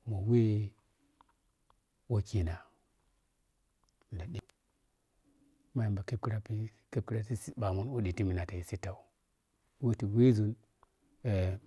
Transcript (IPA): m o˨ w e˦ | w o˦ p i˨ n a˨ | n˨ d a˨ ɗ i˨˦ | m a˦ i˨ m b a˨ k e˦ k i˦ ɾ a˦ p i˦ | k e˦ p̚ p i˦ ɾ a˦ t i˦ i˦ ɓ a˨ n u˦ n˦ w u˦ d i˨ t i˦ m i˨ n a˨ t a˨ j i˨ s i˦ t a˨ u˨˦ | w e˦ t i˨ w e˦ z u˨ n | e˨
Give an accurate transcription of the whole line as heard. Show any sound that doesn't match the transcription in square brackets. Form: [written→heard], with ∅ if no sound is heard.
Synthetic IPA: m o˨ w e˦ | w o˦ [p→k] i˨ n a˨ | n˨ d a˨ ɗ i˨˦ | m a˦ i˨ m b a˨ k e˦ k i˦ ɾ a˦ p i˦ | k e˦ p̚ [p→k] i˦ ɾ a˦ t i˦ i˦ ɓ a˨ [n→m] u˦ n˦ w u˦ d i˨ t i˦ m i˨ n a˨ t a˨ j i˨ s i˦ t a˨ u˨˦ | w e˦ t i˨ w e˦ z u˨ n | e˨

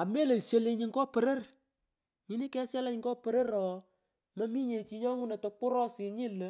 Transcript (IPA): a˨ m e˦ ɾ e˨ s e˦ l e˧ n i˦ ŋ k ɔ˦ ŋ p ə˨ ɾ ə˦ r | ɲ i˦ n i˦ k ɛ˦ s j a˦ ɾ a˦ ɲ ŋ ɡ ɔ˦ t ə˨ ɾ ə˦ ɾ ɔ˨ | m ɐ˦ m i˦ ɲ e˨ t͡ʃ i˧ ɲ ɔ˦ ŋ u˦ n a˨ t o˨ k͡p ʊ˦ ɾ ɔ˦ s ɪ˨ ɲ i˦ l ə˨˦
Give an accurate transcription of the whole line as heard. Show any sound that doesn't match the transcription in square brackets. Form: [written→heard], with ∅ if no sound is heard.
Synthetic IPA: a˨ m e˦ [ɾ→l] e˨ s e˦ l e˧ [n→ɲ] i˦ ŋ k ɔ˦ [ŋ→∅] p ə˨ ɾ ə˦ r | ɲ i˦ n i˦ k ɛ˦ s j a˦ [ɾ→l] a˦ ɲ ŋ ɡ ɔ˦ [t→p] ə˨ ɾ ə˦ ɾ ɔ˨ | m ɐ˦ m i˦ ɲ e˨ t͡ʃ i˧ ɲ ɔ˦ ŋ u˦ n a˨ t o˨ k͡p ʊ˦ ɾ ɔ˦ s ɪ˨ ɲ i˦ l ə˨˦

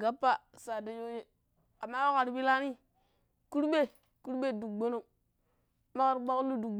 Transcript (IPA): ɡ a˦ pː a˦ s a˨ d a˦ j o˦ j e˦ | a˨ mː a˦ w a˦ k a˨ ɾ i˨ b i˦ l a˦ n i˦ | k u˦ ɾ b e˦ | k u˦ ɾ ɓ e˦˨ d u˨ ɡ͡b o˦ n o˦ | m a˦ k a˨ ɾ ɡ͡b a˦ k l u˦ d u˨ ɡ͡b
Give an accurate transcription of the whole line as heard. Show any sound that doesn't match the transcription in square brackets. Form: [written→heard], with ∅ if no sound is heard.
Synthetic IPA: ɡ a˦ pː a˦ s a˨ d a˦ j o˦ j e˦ | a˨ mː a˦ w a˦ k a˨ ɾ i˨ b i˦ l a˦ n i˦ | k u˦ ɾ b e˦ | k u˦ ɾ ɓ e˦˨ d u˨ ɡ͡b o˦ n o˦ | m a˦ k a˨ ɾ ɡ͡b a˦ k l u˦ d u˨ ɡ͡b

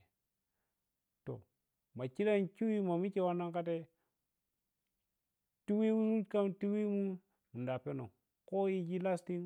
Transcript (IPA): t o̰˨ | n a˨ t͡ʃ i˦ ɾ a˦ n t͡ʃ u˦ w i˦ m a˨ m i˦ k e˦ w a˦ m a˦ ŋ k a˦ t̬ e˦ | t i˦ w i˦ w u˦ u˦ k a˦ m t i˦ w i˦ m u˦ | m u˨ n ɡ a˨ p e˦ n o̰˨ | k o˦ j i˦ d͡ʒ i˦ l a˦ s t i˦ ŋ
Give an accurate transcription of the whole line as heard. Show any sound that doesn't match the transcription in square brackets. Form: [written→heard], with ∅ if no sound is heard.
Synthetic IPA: t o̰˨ | [n→m] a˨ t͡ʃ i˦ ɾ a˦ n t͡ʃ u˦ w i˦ m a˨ m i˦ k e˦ w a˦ [m→n] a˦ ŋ k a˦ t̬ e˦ | t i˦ w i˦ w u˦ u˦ k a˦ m t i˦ w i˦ m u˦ | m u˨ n [ɡ→d] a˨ p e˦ n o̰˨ | k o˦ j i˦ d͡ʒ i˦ l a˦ s t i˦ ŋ

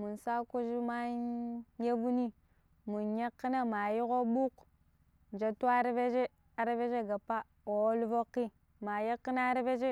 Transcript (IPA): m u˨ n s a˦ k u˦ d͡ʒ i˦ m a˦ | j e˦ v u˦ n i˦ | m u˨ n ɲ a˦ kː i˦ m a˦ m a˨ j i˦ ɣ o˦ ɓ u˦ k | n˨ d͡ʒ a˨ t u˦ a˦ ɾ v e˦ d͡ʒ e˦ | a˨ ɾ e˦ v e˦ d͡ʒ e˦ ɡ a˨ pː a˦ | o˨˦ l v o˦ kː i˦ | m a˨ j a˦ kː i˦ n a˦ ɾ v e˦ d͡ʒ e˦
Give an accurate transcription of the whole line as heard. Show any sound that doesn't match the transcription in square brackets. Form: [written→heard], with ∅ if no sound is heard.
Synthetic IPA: m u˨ n s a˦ k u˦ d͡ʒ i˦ m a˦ | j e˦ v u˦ n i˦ | m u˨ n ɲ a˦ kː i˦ [m→n] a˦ m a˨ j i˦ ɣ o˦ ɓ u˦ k | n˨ d͡ʒ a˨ t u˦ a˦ ɾ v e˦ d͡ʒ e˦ | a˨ ɾ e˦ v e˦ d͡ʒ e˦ ɡ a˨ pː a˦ | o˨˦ l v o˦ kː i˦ | m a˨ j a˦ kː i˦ n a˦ ɾ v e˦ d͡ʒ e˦

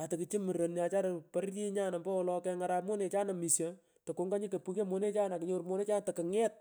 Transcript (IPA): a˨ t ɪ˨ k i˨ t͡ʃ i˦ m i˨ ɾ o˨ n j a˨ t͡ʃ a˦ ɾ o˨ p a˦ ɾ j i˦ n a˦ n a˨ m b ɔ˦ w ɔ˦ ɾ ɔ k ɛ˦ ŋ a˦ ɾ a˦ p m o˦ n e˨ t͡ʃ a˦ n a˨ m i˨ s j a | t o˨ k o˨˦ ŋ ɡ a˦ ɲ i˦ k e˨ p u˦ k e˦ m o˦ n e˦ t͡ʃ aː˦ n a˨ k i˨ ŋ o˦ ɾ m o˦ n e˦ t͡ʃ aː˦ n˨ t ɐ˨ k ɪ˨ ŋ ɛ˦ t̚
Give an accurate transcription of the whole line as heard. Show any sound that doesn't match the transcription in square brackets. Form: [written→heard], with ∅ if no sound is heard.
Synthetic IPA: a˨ t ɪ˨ k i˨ t͡ʃ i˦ m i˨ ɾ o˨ n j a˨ t͡ʃ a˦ ɾ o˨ p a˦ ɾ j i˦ [n→ɲ] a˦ n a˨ m b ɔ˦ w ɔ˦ [ɾ→l] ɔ k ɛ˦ ŋ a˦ ɾ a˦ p m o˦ n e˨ t͡ʃ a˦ n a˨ m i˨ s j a | t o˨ k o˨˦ ŋ ɡ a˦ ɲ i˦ k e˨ p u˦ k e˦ m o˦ n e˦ t͡ʃ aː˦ n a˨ k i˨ [ŋ→ɲ] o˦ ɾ m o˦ n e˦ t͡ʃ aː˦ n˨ t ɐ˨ k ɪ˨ ŋ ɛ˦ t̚

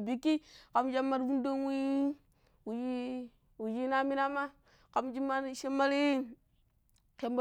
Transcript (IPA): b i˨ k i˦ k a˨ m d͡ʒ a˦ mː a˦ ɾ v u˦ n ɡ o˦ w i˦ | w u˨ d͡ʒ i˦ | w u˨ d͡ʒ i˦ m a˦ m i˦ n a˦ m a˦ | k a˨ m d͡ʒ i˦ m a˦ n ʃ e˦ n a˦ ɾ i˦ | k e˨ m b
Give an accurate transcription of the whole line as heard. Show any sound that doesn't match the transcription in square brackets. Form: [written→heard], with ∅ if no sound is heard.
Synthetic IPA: b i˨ k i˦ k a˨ m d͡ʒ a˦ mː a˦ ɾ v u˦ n [ɡ→d] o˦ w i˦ | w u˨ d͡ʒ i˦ | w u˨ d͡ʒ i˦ [m→n] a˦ m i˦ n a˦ m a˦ | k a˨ m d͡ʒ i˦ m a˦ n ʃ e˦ [n→m] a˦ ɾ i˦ | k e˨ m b

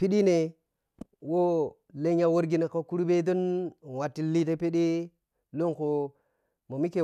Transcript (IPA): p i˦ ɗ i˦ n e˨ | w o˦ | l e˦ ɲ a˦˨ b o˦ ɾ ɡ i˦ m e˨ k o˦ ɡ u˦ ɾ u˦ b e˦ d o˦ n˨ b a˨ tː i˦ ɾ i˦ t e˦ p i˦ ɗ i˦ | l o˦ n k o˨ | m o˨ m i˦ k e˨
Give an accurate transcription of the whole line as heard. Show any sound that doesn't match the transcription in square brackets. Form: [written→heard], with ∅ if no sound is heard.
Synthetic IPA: p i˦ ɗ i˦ n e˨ | w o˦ | l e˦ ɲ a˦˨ [b→w] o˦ ɾ ɡ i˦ [m→n] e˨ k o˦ [ɡ→k] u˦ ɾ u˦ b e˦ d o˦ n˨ [b→w] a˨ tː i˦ [ɾ→l] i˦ t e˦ p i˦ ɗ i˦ | l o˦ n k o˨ | m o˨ m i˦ k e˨

